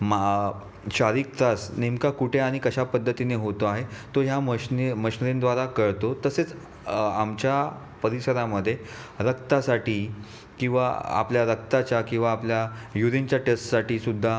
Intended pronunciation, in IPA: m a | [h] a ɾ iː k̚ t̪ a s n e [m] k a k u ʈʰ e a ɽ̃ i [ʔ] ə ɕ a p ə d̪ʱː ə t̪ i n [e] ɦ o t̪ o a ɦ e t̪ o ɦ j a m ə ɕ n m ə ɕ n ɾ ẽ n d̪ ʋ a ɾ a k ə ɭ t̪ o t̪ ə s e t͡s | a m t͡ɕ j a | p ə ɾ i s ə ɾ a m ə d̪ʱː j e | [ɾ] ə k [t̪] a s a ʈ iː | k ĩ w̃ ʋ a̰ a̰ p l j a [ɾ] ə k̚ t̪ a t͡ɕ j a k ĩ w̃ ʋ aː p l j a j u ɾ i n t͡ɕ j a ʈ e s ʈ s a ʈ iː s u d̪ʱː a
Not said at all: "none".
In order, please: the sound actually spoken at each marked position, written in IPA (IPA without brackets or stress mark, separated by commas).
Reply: ɕ, m, k, e, ɾ, t̪, ɾ